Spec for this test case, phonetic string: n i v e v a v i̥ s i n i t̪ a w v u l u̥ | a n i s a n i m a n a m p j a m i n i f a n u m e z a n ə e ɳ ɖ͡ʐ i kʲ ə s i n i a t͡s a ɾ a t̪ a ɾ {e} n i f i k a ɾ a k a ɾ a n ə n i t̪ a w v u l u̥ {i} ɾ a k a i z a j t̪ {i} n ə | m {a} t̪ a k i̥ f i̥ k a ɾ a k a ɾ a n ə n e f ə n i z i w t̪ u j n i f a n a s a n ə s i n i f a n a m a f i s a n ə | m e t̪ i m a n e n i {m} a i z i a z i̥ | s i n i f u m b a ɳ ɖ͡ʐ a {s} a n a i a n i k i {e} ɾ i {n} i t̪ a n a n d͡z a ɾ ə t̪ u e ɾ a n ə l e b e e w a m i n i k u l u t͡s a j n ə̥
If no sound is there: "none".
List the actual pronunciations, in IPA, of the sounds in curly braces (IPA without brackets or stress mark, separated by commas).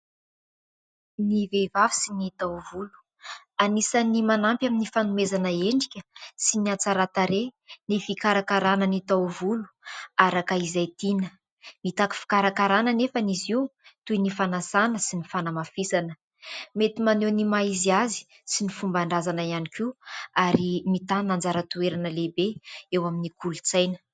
e, a, i, i, m, z, a, m